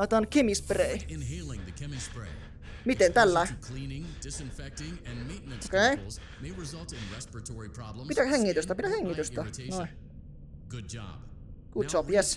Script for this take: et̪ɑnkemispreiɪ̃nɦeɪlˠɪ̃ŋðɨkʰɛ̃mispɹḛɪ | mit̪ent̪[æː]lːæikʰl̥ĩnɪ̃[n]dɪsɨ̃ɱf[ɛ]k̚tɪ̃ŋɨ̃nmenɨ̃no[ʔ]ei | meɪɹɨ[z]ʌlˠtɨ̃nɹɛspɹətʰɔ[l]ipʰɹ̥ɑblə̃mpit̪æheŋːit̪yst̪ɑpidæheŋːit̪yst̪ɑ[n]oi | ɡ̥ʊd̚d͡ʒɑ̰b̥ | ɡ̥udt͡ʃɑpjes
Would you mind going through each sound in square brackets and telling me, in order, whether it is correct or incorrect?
incorrect, incorrect, correct, incorrect, correct, incorrect, correct

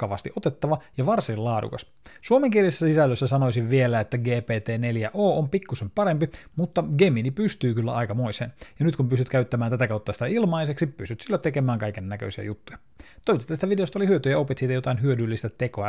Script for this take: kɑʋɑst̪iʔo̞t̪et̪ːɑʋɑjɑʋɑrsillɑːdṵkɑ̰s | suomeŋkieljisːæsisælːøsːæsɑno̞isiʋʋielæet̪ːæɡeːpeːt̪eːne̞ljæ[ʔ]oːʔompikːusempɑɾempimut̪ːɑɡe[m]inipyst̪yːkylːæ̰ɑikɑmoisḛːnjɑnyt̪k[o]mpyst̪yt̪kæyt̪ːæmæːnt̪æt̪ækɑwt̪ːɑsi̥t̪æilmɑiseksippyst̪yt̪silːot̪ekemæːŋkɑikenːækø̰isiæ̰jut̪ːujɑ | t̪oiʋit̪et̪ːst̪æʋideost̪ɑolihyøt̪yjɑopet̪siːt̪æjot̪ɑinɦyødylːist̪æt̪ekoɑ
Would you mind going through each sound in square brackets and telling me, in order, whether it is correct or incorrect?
correct, correct, incorrect

